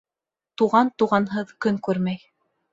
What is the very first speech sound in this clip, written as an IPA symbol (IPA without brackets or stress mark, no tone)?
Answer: t̪